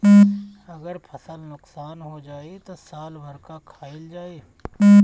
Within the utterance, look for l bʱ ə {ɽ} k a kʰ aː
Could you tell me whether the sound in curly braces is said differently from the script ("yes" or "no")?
yes